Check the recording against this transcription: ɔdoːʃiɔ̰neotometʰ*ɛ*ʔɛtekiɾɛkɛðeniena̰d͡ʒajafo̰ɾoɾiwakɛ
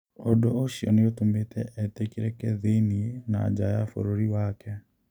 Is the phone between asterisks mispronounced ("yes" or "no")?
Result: no